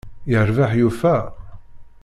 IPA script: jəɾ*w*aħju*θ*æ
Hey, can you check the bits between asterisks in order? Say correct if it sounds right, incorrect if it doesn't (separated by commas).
incorrect, incorrect